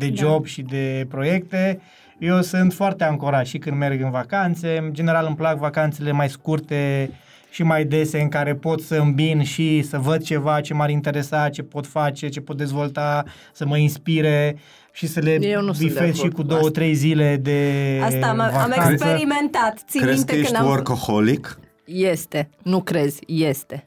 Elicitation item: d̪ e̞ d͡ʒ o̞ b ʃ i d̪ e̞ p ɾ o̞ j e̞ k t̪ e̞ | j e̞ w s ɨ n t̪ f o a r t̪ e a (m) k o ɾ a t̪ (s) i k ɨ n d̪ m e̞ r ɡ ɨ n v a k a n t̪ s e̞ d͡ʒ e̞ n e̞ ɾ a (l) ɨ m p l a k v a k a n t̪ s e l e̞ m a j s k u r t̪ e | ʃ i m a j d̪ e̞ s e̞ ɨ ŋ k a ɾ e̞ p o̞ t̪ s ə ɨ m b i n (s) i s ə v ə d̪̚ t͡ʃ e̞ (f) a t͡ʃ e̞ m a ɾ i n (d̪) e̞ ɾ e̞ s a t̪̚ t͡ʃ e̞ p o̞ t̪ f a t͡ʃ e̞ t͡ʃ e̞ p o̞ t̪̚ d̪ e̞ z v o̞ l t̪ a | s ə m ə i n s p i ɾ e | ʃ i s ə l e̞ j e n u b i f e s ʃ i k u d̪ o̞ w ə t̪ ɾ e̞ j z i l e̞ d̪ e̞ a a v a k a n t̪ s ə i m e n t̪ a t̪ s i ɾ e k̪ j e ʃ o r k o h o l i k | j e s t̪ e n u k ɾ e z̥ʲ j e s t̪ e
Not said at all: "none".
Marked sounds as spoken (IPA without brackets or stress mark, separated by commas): ŋ, ʃ, l, ʃ, v, t̪